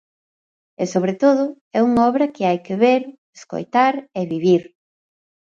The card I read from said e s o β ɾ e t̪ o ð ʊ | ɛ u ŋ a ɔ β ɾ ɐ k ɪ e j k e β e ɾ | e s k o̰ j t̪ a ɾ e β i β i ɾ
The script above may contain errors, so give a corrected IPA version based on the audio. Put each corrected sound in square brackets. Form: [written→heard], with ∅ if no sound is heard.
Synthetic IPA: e s o β ɾ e t̪ o ð ʊ | ɛ u ŋ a ɔ β ɾ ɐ k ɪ [e→a] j k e β e ɾ | e s k o̰ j t̪ a ɾ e β i β i ɾ